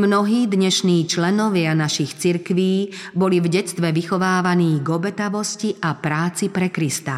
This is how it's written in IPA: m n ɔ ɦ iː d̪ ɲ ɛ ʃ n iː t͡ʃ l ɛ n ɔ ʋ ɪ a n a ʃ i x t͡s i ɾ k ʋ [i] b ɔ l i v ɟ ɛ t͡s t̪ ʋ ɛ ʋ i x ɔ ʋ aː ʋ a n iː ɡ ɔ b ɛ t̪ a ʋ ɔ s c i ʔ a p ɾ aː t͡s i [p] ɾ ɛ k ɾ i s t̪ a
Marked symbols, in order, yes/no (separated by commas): no, yes